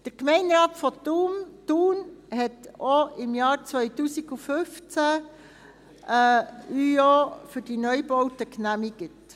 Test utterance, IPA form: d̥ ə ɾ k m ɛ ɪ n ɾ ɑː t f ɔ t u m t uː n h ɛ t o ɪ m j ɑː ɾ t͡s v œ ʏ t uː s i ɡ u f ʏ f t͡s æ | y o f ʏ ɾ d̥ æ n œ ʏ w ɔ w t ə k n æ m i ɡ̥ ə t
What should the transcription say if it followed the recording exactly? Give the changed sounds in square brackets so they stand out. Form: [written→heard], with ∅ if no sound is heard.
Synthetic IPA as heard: d̥ ə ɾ k m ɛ ɪ n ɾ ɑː t f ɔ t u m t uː n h ɛ t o ɪ m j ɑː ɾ t͡s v œ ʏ t uː s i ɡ u f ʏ f t͡s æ | y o f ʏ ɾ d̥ [æ→i] n œ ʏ [w→b] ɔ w t ə k n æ m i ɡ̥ ə t